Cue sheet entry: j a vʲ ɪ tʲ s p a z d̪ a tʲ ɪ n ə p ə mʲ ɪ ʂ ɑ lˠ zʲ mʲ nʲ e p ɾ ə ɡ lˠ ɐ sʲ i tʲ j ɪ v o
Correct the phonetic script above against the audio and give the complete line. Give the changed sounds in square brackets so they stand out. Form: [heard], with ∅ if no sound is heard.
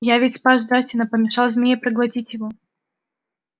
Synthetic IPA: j a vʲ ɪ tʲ s p a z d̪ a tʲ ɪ n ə p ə mʲ ɪ ʂ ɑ lˠ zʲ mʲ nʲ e p ɾ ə ɡ lˠ ɐ [tʲ] i tʲ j ɪ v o